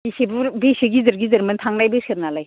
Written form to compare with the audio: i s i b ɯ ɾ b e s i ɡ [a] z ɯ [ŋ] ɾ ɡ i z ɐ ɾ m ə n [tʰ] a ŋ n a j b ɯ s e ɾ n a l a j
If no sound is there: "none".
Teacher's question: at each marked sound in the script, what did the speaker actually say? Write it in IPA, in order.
i, none, tʰ

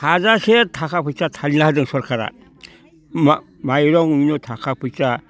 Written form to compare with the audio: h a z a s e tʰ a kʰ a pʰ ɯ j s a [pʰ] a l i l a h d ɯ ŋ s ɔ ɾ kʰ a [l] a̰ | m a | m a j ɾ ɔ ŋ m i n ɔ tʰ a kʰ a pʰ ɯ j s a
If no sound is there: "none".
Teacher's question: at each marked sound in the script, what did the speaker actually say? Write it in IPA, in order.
tʰ, ɾ

